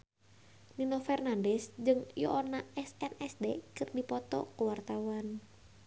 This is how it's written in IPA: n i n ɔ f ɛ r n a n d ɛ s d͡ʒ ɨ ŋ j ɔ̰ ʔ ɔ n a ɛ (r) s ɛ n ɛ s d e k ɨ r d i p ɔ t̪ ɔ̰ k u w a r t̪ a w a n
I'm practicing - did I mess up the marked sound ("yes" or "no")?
yes